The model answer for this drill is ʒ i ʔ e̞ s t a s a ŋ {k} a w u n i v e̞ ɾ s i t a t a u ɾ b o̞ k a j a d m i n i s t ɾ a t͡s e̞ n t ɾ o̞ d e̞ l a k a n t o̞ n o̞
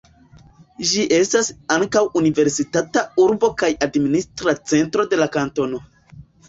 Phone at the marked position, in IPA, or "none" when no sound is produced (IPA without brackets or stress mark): k